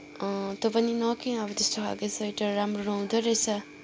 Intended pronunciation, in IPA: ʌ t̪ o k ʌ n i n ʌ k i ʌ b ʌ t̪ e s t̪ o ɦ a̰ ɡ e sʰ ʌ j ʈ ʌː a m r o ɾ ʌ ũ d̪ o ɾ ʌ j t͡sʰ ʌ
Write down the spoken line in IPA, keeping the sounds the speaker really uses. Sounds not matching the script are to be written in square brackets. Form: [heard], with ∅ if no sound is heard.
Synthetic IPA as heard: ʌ t̪ o [p] ʌ n i n ʌ k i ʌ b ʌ t̪ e s t̪ o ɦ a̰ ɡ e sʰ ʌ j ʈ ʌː a m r o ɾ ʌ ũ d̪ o ɾ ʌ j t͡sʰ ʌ